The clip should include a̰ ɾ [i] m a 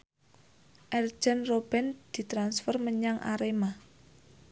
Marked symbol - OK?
no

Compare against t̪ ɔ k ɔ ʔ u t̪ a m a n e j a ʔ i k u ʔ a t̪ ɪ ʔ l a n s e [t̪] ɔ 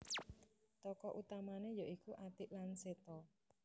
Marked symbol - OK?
yes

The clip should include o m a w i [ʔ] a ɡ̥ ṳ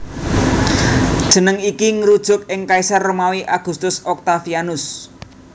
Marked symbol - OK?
yes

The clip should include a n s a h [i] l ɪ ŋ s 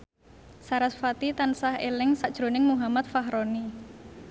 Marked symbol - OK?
no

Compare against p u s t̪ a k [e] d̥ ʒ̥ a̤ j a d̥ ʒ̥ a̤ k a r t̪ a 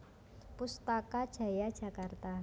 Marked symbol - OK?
no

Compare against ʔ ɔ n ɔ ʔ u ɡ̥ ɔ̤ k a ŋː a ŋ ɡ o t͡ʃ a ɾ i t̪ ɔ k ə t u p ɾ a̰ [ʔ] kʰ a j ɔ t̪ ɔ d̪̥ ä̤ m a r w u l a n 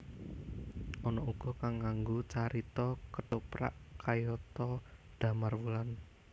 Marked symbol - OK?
yes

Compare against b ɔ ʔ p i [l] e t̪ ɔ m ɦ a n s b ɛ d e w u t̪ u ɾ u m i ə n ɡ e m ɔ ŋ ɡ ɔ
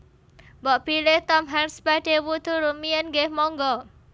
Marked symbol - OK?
yes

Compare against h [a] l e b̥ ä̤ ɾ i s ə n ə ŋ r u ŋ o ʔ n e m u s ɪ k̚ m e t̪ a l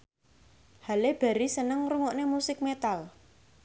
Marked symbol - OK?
yes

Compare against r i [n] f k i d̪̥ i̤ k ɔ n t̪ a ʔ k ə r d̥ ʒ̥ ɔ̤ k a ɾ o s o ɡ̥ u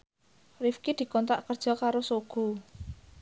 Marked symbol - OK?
no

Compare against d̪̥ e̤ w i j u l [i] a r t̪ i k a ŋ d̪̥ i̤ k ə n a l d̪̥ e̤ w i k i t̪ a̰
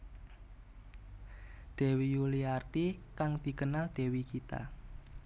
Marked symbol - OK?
yes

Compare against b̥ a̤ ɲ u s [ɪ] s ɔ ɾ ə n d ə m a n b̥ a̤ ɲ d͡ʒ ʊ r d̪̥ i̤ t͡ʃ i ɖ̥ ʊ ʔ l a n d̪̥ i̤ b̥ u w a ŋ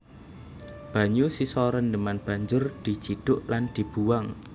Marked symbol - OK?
no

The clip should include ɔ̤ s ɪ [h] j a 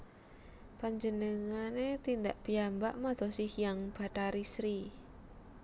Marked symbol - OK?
yes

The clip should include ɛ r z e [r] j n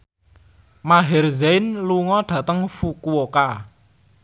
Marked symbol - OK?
no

